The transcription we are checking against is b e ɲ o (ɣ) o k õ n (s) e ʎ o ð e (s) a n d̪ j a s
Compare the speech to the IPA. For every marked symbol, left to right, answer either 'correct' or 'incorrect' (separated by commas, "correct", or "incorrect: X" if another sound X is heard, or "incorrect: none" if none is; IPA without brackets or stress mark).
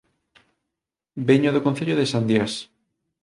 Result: incorrect: ð, incorrect: θ, correct